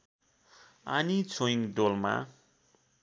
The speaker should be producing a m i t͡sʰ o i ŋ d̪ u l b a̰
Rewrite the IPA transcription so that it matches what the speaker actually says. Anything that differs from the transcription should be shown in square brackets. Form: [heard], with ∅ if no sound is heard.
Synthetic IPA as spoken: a [n] i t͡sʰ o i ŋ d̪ [o] l [m] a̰